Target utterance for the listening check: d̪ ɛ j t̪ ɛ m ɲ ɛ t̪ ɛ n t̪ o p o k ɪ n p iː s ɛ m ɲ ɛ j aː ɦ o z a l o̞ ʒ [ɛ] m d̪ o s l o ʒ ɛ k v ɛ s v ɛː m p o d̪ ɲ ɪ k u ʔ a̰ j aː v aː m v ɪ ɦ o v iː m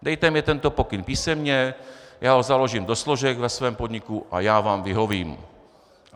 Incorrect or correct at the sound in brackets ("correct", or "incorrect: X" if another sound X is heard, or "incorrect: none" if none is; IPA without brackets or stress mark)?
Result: incorrect: i